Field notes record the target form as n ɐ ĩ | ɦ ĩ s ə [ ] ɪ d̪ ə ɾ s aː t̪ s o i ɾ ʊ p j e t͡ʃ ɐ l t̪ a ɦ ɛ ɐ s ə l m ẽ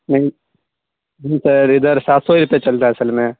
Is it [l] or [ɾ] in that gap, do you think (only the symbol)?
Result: ɾ